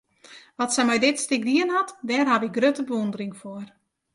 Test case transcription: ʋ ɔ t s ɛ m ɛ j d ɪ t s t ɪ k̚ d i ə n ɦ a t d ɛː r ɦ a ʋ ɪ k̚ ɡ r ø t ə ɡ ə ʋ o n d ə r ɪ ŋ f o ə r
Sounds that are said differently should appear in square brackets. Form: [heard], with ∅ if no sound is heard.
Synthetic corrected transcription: ʋ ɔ t s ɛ m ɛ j d ɪ t s t ɪ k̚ d i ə n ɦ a t d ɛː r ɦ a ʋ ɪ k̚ ɡ r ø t ə [b] ə ʋ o n d ə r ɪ ŋ f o ə r